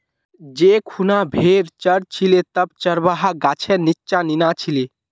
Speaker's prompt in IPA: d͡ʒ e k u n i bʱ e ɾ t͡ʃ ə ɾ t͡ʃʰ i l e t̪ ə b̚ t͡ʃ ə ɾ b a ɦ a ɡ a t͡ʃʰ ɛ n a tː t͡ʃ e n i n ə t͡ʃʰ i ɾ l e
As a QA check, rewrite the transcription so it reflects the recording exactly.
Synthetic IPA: d͡ʒ e kʰ u n a bʱ e ɾ t͡ʃ ə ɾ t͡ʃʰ i l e t̪ ə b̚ t͡ʃ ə ɾ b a ɦ a ɡ a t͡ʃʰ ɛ n i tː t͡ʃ a n i n a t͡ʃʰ i l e